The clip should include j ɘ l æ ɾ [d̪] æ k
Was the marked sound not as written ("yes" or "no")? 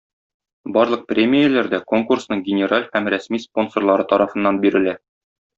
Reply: no